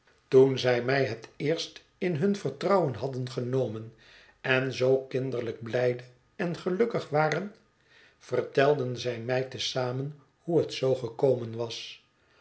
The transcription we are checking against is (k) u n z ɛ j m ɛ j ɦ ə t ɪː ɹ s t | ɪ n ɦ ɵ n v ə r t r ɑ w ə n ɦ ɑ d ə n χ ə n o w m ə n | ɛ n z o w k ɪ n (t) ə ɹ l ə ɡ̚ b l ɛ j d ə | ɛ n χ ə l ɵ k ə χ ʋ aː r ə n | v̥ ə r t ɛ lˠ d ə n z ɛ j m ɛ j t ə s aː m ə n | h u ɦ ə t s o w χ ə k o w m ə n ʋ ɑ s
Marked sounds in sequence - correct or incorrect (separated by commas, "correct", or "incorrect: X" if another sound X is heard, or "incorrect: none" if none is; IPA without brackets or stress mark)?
incorrect: t, incorrect: d